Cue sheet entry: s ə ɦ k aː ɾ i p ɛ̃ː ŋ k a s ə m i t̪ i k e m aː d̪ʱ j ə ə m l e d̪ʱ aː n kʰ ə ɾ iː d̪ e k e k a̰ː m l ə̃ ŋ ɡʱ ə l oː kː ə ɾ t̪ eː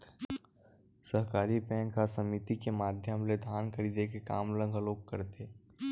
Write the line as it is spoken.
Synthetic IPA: s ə ɦ k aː ɾ i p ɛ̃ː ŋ k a s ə m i t̪ i k e m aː d̪ʱ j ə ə m l e d̪ʱ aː n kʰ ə ɾ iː d̪ e k e k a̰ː m l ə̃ ŋ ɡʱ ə l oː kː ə ɾ t̪ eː